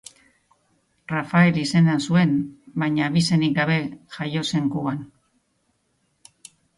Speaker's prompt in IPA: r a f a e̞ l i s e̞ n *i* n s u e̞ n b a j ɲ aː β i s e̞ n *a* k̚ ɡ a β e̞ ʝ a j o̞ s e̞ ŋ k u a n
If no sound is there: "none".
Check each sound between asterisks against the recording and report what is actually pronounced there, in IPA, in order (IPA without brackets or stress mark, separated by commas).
a, i